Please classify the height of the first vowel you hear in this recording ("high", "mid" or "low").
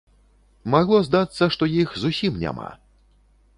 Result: low